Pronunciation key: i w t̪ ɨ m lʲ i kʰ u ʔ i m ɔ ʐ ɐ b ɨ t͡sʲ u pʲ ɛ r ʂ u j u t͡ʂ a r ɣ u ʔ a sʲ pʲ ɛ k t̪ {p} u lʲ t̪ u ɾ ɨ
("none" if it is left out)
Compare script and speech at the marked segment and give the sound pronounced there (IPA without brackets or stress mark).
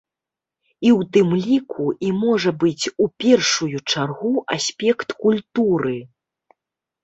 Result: k